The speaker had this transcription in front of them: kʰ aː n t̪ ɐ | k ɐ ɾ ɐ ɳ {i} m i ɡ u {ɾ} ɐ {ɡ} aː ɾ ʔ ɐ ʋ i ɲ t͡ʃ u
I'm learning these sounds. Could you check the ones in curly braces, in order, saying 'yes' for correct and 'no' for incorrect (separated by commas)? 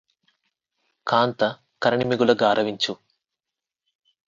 yes, no, yes